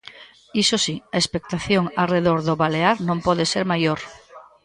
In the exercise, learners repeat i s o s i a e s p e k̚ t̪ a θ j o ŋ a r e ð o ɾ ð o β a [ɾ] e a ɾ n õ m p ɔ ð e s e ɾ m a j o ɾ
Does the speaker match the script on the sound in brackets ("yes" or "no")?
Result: no